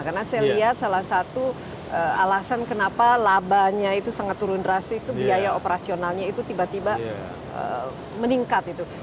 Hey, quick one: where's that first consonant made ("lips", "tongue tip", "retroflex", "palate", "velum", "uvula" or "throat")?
velum